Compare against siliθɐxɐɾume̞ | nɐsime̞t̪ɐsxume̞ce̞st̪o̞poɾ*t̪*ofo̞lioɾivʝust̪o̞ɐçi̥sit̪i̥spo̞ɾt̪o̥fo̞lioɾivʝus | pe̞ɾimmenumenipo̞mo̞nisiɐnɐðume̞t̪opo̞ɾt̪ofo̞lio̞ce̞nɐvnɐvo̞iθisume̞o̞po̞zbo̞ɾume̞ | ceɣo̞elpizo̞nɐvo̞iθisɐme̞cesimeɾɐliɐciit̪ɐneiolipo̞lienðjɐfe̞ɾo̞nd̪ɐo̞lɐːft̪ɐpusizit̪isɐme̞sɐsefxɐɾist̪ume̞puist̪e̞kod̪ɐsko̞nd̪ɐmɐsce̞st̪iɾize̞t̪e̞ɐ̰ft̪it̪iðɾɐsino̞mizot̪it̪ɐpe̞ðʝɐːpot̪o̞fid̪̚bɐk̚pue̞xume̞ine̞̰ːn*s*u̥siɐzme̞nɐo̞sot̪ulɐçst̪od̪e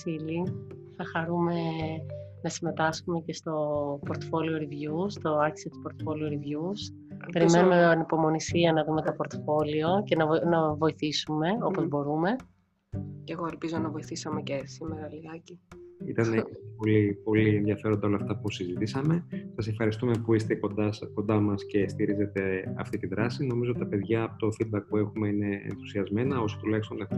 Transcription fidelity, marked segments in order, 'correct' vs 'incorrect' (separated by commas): correct, incorrect